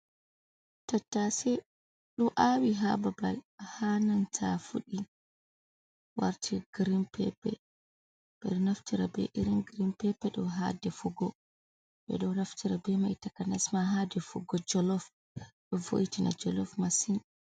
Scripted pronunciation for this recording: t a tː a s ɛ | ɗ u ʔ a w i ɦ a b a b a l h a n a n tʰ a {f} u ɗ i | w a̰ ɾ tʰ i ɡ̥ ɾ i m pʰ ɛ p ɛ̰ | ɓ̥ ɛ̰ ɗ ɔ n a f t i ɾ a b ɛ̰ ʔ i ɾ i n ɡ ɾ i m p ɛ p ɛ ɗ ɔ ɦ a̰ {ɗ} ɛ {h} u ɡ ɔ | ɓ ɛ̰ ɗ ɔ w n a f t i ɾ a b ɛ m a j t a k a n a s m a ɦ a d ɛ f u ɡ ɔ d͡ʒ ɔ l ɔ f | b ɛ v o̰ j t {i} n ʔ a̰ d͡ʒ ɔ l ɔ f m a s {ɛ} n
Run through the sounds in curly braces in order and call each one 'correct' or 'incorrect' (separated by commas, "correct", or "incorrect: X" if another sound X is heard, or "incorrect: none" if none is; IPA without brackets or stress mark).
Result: correct, incorrect: d, incorrect: f, correct, incorrect: i